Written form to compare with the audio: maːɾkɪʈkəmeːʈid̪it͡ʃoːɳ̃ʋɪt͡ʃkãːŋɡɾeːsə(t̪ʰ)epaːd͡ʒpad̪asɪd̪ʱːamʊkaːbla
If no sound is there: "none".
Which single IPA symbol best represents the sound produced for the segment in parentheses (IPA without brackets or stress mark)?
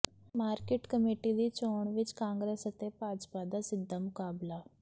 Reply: t̪